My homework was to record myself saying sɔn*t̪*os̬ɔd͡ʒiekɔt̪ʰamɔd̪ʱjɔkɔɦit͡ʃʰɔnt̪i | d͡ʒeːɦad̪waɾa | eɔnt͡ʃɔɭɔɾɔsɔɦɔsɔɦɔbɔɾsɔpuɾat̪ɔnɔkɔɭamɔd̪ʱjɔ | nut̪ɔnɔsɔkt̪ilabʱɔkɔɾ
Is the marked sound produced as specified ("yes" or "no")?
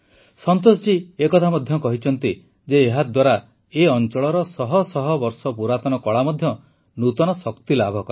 yes